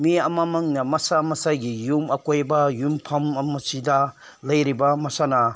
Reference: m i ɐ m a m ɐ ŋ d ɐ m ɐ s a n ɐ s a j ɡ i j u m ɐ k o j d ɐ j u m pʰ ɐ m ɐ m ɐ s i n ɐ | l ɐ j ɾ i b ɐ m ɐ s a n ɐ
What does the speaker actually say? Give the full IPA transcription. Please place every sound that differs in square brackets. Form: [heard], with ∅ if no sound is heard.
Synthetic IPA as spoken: m i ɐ m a m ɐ ŋ [n] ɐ m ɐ s a [m] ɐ s a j ɡ i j u m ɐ k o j [b] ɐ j u m pʰ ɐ m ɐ m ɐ s i [d] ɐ | l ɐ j ɾ i b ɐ m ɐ s a n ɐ